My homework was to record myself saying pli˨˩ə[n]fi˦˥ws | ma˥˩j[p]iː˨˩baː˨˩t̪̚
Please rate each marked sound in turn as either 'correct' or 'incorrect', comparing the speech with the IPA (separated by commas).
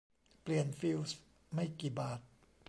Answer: correct, incorrect